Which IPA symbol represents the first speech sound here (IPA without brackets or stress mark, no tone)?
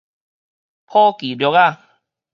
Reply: pʰ